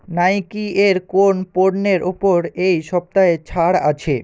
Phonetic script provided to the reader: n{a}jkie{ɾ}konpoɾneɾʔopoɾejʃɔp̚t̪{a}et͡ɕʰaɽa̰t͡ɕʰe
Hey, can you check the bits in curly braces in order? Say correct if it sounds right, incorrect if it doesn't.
correct, correct, correct

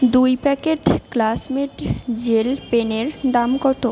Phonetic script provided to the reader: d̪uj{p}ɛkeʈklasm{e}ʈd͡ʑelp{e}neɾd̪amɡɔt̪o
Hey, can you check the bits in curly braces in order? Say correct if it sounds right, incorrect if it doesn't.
correct, correct, correct

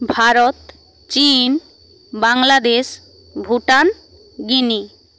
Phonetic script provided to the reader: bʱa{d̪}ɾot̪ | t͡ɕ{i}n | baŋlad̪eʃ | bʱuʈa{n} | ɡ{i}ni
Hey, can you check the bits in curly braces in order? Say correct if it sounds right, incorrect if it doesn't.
incorrect: none, correct, correct, correct

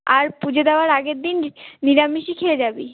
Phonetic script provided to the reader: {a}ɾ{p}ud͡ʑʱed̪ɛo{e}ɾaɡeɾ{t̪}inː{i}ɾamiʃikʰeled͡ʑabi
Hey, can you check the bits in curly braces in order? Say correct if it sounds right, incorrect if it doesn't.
correct, correct, incorrect: a, incorrect: d̪, correct

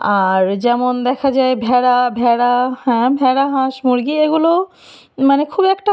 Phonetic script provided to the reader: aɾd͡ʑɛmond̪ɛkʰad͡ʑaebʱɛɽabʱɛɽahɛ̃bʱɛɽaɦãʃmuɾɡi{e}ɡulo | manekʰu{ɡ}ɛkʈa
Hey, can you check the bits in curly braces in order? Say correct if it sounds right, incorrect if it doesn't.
correct, incorrect: b

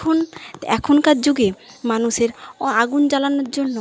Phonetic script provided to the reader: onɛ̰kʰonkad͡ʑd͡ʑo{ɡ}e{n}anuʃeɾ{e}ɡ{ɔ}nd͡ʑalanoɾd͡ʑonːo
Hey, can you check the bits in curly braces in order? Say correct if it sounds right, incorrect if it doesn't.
correct, incorrect: m, incorrect: a, incorrect: u

